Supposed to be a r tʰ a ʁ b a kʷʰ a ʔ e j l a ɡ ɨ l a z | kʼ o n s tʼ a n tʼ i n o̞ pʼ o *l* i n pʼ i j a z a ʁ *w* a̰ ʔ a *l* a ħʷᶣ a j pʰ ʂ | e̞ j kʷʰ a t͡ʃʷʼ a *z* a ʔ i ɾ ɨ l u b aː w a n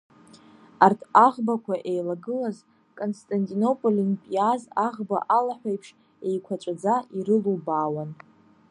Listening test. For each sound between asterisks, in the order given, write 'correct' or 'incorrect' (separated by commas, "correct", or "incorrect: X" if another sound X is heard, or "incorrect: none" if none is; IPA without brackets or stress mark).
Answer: correct, incorrect: b, correct, incorrect: d͡z